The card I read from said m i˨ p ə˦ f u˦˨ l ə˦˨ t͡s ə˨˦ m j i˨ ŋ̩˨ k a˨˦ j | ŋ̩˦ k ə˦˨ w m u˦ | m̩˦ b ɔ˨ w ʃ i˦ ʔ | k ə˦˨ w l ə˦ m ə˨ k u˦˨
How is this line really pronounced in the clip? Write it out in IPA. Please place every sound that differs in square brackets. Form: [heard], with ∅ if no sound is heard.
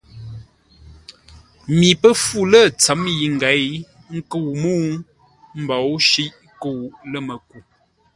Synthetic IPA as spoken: m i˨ p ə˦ f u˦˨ l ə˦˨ t͡s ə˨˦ m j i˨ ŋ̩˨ [ɡ] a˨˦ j | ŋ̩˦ k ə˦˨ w m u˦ | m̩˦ b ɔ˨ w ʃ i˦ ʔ | k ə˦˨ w l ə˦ m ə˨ k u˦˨